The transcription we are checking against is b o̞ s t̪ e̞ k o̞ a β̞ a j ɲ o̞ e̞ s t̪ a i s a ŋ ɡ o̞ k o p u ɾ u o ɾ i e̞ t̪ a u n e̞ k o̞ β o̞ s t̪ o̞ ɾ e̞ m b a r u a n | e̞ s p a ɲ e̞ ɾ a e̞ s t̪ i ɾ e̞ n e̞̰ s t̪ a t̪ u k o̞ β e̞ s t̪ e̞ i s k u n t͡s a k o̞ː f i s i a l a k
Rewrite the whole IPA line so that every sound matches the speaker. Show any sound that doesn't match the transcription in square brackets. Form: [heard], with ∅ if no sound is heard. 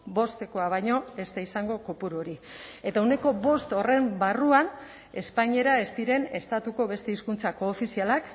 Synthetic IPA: b o̞ s t̪ e̞ k o̞ a β̞ a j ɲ o̞ e̞ s t̪ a i s a ŋ ɡ o̞ k o p u ɾ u o ɾ i e̞ t̪ a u n e̞ k o̞ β o̞ s t̪ o̞ [r] e̞ m b a r u a n | e̞ s p a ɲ e̞ ɾ a e̞ s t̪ i ɾ e̞ n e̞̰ s t̪ a t̪ u k o̞ β e̞ s t̪ e̞ i s k u n t͡s a k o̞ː f i s i a l a k